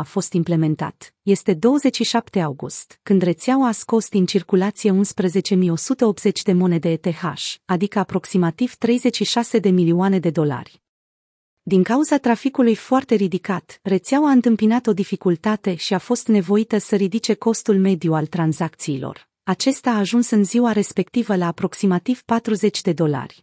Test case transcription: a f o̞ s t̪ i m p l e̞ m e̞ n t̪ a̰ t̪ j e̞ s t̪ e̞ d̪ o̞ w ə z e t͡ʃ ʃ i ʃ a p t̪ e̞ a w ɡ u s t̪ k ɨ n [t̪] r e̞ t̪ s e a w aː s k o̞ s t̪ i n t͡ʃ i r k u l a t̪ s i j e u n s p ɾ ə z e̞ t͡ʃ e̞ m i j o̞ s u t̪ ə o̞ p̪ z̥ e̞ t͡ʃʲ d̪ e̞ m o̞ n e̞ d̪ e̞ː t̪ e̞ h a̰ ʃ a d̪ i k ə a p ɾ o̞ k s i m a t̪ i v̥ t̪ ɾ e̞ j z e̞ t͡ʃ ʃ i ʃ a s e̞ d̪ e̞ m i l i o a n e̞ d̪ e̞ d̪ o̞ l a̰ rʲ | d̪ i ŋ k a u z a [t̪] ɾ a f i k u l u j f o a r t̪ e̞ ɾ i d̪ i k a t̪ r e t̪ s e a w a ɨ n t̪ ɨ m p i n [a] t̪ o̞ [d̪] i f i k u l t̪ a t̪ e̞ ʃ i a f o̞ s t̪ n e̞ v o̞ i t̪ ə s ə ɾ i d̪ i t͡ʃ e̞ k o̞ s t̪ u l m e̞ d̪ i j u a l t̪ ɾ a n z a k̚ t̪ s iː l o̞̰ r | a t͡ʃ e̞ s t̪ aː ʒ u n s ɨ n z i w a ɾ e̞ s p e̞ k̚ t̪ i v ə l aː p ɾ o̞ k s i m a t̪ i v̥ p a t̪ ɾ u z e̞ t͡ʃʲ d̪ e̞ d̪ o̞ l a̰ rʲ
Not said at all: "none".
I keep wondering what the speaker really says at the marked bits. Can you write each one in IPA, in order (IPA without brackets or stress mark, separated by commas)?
d̪, t̪, a, d̪